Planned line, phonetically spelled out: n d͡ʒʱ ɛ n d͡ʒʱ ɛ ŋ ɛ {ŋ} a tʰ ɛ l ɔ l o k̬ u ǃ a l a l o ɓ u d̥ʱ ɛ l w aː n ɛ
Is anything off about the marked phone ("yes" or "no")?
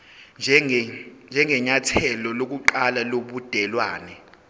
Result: yes